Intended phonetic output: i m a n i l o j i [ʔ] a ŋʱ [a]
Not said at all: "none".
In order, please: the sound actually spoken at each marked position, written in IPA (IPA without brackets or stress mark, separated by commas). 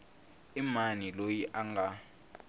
ʔ, a